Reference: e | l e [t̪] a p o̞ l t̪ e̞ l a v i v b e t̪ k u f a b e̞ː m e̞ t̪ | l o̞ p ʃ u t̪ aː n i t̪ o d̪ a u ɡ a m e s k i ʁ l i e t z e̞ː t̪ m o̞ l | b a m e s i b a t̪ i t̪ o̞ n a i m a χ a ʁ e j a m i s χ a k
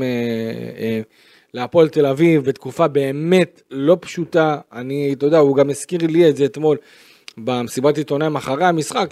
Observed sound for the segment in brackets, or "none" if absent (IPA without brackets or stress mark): none